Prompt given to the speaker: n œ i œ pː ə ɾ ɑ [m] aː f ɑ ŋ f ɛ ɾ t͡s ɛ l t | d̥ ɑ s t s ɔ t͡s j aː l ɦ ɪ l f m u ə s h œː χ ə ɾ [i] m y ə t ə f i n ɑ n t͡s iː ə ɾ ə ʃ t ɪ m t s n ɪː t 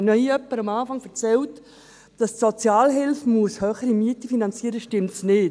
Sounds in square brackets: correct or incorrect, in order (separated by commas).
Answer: correct, correct